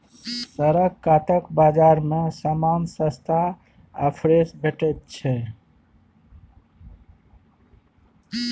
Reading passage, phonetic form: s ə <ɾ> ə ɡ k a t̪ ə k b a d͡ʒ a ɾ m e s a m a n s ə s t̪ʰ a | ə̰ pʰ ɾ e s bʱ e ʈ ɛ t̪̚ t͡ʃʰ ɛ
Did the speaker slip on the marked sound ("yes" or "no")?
no